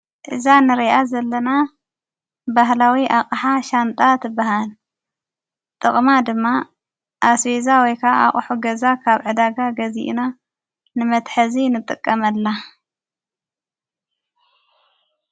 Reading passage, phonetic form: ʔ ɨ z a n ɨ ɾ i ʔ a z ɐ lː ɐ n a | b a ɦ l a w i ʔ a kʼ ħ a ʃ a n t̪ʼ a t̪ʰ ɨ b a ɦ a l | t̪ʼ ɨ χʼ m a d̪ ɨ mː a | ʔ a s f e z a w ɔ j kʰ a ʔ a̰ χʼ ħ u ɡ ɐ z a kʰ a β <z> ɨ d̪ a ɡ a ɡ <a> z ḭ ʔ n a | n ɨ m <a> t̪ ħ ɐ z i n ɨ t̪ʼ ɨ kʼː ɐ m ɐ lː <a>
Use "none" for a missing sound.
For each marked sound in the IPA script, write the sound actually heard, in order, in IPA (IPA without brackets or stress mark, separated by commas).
ʕ, ɐ, ɐ, a